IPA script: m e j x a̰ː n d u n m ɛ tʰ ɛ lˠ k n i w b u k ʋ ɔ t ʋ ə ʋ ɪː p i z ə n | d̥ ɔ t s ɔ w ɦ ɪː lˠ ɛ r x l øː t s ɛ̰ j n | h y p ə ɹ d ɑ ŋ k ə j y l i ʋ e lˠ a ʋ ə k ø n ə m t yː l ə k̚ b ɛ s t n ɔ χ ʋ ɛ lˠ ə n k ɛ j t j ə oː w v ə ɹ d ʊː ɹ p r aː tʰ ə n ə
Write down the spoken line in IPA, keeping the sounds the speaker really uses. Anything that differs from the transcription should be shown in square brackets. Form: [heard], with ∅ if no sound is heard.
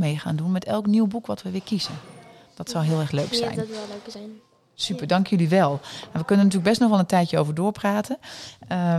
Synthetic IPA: m e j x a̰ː n d u n m ɛ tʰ ɛ lˠ k n i w b u k ʋ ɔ t ʋ ə ʋ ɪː [k] i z ə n | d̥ ɔ t s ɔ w ɦ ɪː lˠ ɛ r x l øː [k] s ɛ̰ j n | [s] y p ə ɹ d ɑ ŋ k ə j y l i ʋ [ɛ] lˠ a ʋ ə k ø n ə [n] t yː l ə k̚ b ɛ s t n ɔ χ ʋ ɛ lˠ ə n [t] ɛ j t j ə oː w v ə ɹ d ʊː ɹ p r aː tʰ ə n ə